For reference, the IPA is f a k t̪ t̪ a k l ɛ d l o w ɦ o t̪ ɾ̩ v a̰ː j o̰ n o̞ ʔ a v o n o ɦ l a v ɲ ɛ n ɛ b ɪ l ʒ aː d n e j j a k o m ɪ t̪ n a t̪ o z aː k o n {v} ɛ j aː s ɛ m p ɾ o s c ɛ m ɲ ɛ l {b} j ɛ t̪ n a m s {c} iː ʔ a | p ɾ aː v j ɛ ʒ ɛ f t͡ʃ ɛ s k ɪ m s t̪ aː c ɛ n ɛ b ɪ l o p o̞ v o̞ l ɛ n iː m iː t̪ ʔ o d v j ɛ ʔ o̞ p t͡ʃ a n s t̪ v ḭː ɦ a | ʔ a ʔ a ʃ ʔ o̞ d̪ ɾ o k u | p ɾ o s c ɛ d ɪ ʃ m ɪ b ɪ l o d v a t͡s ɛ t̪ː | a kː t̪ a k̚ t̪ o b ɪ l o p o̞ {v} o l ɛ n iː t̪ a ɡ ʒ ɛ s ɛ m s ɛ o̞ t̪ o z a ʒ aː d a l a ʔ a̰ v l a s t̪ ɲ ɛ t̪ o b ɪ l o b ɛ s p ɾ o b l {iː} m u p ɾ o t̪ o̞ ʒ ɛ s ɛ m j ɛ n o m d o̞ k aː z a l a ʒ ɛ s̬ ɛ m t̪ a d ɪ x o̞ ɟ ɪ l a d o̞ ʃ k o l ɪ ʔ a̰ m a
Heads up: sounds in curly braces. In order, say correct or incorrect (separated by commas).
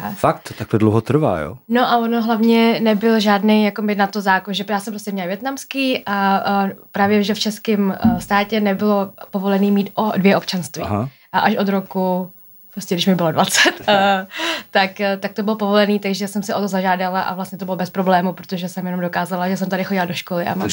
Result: incorrect, incorrect, incorrect, correct, incorrect